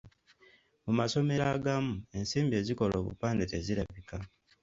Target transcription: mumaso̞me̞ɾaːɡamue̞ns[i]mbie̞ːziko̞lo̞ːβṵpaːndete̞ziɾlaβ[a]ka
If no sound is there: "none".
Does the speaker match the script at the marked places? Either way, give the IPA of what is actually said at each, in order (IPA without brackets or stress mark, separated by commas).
iː, i